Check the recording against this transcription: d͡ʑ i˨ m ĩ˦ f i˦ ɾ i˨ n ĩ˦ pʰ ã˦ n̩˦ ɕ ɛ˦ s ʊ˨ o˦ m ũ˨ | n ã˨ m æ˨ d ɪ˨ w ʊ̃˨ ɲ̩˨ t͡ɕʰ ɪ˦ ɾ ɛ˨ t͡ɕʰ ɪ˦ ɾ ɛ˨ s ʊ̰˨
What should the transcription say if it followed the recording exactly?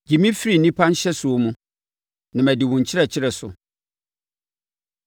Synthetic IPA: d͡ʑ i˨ m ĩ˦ f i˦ ɾ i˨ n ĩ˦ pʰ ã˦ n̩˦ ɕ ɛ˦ s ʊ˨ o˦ m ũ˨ | n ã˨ m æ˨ d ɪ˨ w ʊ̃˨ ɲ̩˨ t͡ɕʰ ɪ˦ ɾ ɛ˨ t͡ɕʰ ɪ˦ ɾ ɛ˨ s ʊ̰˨